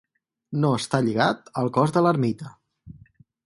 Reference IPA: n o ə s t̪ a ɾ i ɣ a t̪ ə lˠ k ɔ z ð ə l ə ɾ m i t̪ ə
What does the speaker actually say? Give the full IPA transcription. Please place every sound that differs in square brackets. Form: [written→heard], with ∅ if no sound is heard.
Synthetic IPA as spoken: n o ə s t̪ a [ɾ→ʎ] i ɣ a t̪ ə lˠ k ɔ z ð ə l ə ɾ m i t̪ ə

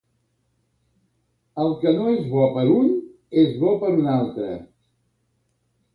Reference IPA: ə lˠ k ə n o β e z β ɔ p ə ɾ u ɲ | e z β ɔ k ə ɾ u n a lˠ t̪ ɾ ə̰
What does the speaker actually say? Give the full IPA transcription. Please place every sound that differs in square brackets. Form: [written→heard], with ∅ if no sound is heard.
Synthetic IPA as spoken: ə lˠ k ə n o [β→∅] e z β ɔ p ə ɾ u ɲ | e z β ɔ [k→p] ə ɾ u n a lˠ t̪ ɾ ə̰

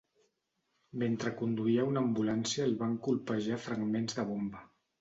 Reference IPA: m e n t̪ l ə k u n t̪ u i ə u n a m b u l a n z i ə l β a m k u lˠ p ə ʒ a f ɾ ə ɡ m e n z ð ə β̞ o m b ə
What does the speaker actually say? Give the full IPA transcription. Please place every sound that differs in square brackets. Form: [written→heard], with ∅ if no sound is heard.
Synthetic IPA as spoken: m e n t̪ [l→ɾ] ə k u n [t̪→d̪] u i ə u n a m b u l a n [z→s] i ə l β a [m→ŋ] k u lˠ p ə ʒ a f ɾ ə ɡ m e n z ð ə β̞ o m b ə

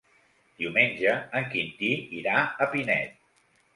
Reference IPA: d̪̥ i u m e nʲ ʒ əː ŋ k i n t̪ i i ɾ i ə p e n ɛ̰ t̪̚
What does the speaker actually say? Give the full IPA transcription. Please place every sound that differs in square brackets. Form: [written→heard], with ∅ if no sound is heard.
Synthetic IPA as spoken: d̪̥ i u m e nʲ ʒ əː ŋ k i n t̪ i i ɾ [i→a] ə p [e→i] n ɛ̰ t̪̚

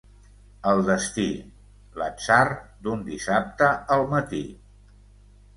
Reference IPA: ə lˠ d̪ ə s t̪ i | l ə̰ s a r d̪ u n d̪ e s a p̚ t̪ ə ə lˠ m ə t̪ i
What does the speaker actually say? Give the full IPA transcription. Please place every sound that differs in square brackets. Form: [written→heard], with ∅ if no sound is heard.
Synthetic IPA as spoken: ə lˠ d̪ ə s t̪ i | l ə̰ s a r d̪ u n d̪ [e→i] s a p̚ t̪ ə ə lˠ m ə t̪ i

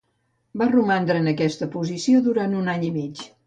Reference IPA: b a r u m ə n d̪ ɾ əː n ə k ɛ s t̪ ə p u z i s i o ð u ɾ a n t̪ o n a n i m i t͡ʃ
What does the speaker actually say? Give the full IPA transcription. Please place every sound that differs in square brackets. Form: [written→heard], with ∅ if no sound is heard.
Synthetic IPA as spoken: b a r u m [ə→a] n d̪ ɾ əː n ə k ɛ s t̪ ə p u z i s i o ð u ɾ a n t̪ [o→u] n a [n→ɲ] i m i t͡ʃ

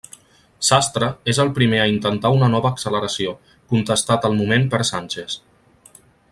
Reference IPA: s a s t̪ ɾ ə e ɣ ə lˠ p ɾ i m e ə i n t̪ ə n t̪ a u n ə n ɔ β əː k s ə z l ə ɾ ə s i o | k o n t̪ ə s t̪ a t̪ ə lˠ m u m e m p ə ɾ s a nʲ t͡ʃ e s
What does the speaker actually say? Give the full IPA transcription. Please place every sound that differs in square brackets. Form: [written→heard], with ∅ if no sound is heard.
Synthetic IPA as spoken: s a s t̪ ɾ ə e [ɣ→z] ə lˠ p ɾ i m e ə i n t̪ ə n t̪ a u n ə n ɔ β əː k s ə [z→∅] l ə ɾ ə s i o | k [o→u] n t̪ ə s t̪ a t̪ ə lˠ m u m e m p ə ɾ s a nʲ t͡ʃ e s

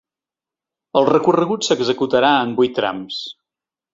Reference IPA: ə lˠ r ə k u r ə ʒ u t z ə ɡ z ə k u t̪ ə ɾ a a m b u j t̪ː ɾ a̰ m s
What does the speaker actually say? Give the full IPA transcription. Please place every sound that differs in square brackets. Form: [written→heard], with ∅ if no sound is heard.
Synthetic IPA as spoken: ə lˠ r ə k u r ə [ʒ→ɣ] u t [z→s] ə ɡ z ə k u t̪ ə ɾ a [a→ə] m b u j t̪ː ɾ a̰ m s

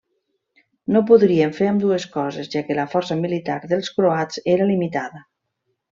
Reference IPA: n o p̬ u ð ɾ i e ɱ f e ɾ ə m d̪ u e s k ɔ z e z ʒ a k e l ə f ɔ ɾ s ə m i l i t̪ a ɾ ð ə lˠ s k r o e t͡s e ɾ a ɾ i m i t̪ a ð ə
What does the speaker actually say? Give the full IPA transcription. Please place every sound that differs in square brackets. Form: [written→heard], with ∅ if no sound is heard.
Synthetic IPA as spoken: n o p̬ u ð ɾ i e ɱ f e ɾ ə m d̪ u e s k ɔ z e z ʒ a k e l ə f ɔ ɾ s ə m i l i t̪ a ɾ ð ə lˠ s k [r→ɾ] o [e→a] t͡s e ɾ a [ɾ→l] i m i t̪ a ð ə

